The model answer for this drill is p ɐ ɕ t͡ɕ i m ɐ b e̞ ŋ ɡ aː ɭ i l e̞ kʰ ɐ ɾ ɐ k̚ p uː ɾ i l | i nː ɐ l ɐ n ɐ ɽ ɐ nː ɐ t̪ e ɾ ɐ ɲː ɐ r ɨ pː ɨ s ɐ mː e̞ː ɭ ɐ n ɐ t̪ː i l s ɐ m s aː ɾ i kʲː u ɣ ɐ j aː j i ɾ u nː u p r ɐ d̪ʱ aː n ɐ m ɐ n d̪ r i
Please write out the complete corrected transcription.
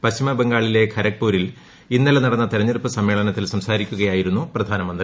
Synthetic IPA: p ɐ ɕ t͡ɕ i m ɐ b e̞ ŋ ɡ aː ɭ i l e̞ kʰ ɐ ɾ ɐ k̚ p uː ɾ i l | i nː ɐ l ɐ n ɐ ɽ ɐ nː ɐ t̪ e ɾ ɐ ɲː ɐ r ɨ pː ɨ s ɐ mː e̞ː ɭ ɐ n ɐ t̪ː i l s ɐ m s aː ɾ i kʲː u ɣ ɐ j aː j i ɾ u nː u p r ɐ d̪ʱ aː n ɐ m ɐ n d̪ r i